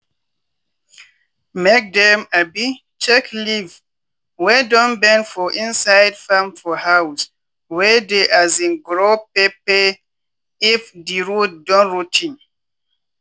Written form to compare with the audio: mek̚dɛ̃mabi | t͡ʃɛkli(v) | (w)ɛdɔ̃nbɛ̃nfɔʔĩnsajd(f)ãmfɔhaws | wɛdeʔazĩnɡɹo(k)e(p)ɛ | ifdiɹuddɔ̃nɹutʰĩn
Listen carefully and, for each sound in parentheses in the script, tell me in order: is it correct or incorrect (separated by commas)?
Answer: correct, correct, correct, incorrect, correct